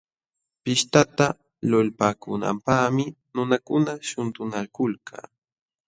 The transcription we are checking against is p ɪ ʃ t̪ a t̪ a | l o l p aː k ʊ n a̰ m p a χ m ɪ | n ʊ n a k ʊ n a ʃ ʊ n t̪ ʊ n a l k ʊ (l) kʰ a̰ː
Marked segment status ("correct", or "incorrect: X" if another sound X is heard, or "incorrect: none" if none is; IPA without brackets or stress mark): correct